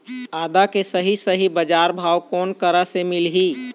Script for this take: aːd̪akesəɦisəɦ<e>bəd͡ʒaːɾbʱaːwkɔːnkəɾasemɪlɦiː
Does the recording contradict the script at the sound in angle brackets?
yes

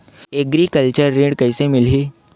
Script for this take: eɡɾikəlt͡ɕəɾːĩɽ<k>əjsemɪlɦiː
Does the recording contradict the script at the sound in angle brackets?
no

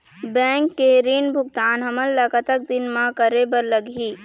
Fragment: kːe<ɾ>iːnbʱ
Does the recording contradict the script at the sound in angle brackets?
no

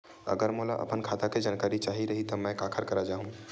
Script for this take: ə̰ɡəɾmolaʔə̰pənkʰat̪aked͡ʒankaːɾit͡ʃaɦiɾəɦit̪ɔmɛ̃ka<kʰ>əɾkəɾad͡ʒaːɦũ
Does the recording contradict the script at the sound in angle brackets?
no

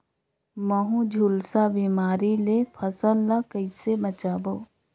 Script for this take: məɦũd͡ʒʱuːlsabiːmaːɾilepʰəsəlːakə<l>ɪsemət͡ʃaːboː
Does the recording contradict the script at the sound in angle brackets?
yes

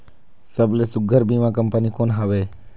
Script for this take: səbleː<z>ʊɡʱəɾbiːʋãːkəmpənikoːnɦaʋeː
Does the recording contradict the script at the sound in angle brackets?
yes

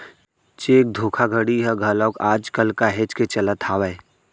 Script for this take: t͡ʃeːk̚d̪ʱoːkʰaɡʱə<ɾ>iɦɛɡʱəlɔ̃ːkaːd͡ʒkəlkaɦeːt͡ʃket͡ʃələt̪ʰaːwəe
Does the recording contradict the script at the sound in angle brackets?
yes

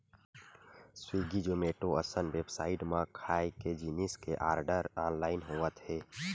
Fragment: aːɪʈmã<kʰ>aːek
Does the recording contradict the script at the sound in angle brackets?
no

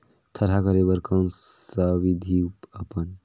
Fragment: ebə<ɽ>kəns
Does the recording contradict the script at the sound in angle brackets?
yes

